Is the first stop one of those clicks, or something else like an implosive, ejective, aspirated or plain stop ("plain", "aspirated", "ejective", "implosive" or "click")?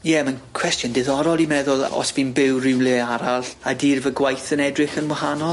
aspirated